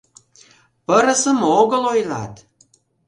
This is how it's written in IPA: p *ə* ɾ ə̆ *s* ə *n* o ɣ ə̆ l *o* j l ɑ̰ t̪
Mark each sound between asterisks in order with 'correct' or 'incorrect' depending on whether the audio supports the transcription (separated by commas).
correct, correct, incorrect, correct